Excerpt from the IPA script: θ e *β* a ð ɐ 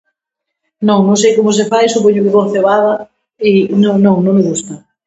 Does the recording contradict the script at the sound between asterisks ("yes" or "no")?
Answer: no